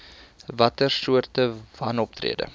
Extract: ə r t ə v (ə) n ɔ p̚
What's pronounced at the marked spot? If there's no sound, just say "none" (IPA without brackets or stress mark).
ɐ